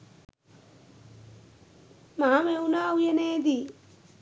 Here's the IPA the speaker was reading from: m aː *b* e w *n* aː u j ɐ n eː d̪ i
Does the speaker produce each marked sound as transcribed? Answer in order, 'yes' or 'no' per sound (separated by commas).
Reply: no, yes